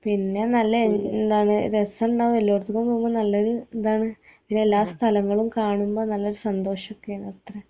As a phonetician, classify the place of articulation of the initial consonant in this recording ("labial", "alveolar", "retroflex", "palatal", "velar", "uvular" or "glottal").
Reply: labial